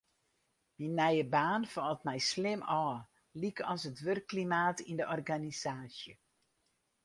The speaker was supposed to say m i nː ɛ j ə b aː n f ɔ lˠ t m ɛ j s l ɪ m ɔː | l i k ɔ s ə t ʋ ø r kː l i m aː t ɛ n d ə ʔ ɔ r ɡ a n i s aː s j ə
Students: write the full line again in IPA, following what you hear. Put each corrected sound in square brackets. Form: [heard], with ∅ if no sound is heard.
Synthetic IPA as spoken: m i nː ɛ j ə b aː n f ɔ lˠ t m ɛ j s l ɪ m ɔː | l i k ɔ s ə t ʋ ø r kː l i m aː t [i] n d ə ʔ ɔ r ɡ a n i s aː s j ə